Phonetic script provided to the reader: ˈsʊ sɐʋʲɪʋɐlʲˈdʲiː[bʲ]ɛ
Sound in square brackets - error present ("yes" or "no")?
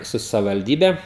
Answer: no